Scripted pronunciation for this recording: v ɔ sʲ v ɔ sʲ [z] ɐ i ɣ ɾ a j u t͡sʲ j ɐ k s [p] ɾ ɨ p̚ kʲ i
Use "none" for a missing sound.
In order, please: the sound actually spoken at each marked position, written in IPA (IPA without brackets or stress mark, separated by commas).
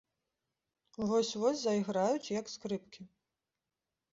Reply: z, k